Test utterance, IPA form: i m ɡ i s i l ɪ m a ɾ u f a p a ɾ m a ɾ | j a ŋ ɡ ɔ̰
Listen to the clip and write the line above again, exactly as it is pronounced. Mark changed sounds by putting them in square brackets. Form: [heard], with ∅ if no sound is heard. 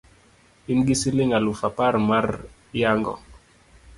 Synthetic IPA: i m ɡ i s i l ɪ [ŋ] a [l] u f a p a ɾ m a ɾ | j a ŋ ɡ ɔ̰